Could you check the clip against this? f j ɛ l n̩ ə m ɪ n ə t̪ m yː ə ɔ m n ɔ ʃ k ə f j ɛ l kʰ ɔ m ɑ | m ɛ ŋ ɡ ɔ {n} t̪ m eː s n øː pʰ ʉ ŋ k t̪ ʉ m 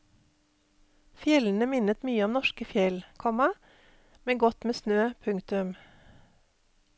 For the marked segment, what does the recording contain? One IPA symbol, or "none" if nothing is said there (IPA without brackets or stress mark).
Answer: none